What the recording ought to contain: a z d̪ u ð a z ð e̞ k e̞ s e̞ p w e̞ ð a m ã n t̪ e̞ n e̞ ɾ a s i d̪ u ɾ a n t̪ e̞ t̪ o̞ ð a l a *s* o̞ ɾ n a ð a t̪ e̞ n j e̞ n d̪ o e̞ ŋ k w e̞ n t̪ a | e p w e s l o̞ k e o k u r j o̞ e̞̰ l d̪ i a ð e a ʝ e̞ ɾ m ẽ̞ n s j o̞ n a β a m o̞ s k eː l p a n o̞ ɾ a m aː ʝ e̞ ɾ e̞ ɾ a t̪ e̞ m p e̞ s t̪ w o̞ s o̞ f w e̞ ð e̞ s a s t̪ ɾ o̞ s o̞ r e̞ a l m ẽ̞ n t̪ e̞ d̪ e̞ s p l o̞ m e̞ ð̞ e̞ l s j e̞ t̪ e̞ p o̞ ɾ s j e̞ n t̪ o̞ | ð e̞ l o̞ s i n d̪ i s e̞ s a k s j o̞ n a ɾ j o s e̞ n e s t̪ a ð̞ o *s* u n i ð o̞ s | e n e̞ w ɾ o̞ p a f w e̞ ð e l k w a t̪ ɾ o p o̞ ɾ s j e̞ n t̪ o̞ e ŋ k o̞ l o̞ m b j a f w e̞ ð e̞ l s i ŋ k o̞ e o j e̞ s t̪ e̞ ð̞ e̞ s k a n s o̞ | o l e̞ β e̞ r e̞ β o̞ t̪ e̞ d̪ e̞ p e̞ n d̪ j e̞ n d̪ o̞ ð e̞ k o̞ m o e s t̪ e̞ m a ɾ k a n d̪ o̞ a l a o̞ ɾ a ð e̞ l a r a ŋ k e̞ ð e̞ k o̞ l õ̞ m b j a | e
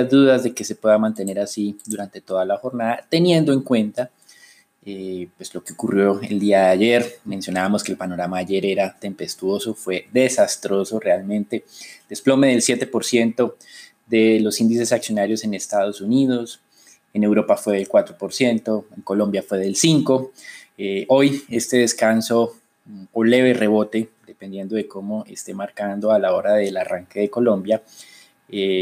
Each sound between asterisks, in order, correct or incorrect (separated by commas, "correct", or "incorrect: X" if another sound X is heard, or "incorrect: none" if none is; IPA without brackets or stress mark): incorrect: x, correct